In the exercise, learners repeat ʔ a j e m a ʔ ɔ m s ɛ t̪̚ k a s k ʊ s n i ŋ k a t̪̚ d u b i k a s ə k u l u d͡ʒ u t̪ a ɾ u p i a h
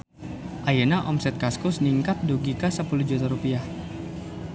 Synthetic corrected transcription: ʔ a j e n a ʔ ɔ m s ɛ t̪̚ k a s k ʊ s n i ŋ k a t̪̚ d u ɡ i k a s ə p u l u d͡ʒ u t̪ a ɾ u p i a h